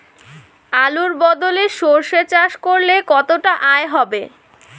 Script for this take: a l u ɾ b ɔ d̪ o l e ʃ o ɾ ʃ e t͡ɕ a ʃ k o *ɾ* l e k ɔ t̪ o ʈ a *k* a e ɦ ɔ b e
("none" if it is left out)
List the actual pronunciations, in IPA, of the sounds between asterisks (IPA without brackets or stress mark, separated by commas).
ɾ, ʔ